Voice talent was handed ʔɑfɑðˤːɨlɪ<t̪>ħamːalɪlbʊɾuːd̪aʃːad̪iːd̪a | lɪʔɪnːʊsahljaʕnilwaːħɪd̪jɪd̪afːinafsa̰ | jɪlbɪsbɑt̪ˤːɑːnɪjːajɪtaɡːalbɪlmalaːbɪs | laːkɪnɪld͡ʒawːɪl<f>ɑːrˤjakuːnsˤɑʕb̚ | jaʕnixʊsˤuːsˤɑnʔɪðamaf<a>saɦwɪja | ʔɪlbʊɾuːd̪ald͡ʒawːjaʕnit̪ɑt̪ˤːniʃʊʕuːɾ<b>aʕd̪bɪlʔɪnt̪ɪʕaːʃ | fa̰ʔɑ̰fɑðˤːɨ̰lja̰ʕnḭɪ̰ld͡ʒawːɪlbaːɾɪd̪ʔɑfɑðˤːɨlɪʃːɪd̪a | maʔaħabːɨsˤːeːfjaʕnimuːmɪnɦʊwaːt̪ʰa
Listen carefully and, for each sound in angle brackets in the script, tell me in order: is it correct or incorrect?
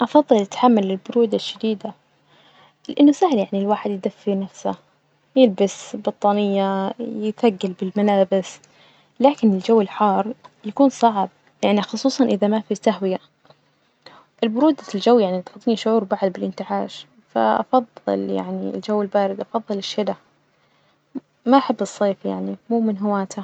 correct, incorrect, incorrect, correct

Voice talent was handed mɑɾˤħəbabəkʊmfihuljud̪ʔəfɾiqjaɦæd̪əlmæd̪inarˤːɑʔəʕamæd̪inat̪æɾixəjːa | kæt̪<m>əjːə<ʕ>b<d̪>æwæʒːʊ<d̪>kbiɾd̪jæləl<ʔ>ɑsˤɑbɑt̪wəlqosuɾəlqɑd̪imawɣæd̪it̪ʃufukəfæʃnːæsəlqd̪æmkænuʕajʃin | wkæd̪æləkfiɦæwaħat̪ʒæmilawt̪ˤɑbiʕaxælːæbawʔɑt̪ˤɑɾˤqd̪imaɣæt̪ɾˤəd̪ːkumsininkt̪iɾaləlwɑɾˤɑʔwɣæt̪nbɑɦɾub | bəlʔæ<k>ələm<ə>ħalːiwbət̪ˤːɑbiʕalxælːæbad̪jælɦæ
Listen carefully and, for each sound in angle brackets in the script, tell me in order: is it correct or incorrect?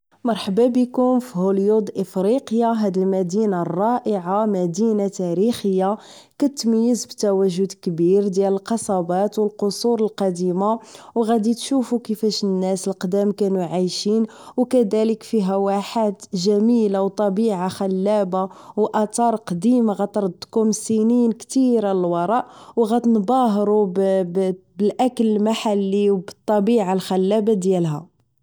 correct, incorrect, incorrect, correct, incorrect, correct, incorrect

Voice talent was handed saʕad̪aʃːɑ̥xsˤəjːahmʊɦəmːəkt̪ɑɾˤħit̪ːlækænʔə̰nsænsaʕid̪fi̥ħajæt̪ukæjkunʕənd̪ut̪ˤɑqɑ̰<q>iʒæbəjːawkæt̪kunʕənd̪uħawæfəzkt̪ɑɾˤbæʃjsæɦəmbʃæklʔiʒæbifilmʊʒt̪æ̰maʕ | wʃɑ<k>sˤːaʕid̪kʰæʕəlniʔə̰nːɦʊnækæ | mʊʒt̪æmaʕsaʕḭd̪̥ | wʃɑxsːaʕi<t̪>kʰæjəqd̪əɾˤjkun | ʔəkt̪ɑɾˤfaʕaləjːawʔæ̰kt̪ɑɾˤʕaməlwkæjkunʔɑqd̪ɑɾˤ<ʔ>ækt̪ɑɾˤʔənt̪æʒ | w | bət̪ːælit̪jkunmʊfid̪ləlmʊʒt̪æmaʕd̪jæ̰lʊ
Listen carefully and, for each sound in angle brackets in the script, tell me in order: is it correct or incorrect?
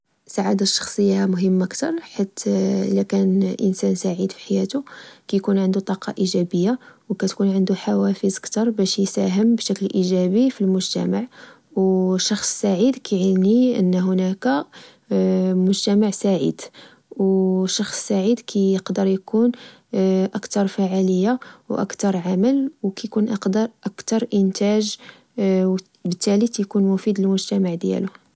incorrect, incorrect, incorrect, correct

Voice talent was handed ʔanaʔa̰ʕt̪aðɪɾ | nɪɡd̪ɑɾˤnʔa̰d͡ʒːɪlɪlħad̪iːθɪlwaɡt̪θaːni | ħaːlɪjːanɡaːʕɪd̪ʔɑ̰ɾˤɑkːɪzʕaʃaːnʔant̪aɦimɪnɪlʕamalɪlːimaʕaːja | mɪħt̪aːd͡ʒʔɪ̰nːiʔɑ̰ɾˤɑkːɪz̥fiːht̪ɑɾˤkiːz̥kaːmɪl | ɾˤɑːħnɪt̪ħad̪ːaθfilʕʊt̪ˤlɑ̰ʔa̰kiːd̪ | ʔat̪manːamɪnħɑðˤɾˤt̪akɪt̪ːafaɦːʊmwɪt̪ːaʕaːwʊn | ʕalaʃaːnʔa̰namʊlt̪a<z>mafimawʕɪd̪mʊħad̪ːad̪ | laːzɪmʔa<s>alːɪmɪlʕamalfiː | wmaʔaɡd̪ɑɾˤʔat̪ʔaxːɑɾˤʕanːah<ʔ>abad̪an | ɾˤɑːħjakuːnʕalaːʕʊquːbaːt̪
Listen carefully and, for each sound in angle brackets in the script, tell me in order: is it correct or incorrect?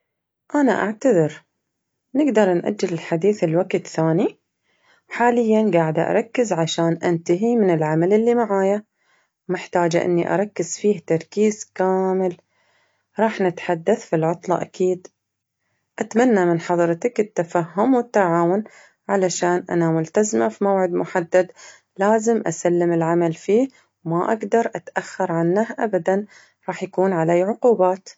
correct, correct, correct

